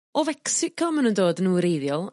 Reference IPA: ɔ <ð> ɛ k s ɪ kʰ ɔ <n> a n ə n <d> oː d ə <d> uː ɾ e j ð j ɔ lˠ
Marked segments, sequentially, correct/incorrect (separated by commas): incorrect, incorrect, correct, incorrect